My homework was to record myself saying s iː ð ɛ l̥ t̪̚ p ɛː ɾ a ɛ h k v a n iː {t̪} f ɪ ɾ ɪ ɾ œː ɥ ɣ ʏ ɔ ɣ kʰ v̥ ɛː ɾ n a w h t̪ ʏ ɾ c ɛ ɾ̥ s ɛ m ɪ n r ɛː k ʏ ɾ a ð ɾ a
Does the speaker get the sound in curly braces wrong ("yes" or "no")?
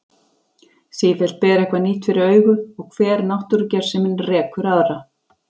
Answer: no